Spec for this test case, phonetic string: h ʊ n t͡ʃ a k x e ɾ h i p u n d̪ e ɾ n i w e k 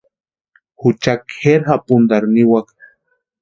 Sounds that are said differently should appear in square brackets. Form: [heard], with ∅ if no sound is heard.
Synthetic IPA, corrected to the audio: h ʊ [∅] t͡ʃ a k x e ɾ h [a] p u n d̪ [a] ɾ n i w [a] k